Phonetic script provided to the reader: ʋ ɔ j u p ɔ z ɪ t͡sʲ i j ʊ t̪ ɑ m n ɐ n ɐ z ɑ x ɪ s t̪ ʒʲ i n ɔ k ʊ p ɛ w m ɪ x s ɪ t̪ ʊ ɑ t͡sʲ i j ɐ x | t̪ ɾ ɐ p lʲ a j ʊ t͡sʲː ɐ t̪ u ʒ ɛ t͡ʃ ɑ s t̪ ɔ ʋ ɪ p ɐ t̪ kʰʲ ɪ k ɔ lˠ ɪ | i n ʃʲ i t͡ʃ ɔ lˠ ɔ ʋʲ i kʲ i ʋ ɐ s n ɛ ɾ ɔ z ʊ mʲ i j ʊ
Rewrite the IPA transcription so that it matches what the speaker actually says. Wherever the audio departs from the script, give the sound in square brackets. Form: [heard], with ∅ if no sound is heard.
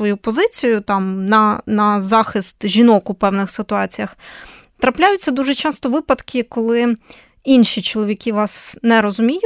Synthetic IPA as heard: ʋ ɔ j u p ɔ z ɪ t͡sʲ i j ʊ t̪ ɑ m n ɐ n ɐ z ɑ x ɪ s t̪ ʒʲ i n ɔ k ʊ p ɛ w [n] ɪ x s ɪ t̪ ʊ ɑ t͡sʲ i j ɐ x | t̪ ɾ ɐ p lʲ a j ʊ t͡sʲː ɐ [d̪] u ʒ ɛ t͡ʃ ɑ s t̪ ɔ ʋ ɪ p ɐ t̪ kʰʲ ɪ k ɔ lˠ ɪ | i n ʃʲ i t͡ʃ ɔ lˠ ɔ ʋʲ i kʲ i ʋ [ɑ] s n ɛ ɾ ɔ z ʊ mʲ i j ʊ